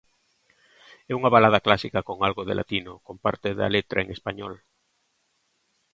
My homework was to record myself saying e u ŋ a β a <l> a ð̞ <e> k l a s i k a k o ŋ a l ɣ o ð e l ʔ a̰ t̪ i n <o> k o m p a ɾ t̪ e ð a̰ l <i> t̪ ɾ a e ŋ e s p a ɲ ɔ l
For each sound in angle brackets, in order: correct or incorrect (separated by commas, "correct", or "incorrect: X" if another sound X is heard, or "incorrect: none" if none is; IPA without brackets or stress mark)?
correct, incorrect: a, correct, incorrect: e